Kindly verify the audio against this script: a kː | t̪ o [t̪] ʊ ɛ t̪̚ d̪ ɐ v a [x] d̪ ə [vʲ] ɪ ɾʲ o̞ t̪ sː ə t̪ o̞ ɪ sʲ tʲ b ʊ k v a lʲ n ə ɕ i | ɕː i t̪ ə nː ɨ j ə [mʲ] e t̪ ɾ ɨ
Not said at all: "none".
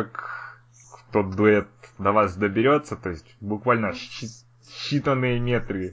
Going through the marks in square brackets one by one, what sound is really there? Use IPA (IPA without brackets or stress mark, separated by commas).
d̪, s, bʲ, mʲ